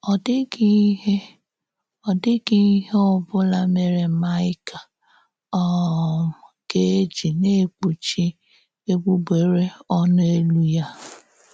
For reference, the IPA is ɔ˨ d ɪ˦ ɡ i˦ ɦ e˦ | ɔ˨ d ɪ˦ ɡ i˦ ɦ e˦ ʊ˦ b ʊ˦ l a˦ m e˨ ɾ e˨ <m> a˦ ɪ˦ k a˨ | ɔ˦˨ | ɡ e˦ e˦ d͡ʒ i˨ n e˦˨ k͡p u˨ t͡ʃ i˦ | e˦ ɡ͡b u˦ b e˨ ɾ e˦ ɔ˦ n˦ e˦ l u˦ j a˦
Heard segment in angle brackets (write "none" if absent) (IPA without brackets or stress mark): m